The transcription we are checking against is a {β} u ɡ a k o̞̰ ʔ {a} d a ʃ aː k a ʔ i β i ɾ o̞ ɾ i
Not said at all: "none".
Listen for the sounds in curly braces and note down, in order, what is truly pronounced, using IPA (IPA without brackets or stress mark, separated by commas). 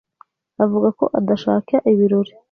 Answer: v, a